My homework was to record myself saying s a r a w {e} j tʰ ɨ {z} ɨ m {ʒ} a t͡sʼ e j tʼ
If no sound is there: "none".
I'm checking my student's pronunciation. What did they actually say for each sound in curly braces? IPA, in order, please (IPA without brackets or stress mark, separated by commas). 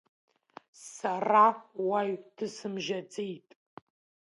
a, s, ʒ